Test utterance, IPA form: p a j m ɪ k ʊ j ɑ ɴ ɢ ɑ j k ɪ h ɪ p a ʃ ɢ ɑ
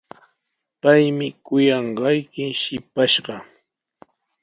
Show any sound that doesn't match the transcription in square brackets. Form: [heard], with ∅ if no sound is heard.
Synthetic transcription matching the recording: p a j m ɪ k ʊ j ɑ ɴ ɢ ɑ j k ɪ [ʃ] ɪ p a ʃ ɢ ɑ